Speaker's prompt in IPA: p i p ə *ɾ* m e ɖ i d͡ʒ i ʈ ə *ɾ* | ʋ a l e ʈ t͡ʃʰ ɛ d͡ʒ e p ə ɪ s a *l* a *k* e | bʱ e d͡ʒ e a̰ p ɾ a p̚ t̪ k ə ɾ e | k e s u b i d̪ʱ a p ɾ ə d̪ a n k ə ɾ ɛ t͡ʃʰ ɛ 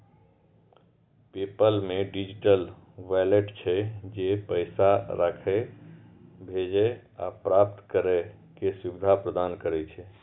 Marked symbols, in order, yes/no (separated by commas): no, no, no, no